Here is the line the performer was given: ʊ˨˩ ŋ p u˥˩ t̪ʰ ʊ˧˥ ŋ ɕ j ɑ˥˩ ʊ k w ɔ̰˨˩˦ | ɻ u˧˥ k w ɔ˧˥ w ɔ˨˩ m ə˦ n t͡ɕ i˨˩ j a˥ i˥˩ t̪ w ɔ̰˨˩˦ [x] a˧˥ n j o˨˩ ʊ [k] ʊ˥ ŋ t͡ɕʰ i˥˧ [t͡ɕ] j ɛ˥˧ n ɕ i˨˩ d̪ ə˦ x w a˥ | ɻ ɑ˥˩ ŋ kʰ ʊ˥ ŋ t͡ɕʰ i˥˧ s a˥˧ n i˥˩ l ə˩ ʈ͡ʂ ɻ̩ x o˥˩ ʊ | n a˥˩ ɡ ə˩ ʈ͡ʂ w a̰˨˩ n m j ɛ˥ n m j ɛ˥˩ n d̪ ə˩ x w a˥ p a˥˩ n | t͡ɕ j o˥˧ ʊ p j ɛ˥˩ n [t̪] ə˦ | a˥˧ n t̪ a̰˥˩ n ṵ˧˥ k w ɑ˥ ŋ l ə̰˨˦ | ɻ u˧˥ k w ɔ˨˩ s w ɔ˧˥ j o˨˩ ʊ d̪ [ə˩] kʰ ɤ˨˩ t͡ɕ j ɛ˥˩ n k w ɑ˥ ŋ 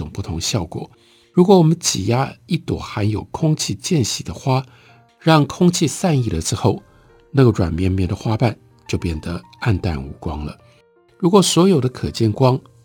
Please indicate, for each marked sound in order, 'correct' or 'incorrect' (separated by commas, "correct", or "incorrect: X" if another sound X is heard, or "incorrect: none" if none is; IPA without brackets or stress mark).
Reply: correct, incorrect: kʰ, correct, incorrect: d̪, incorrect: ə˦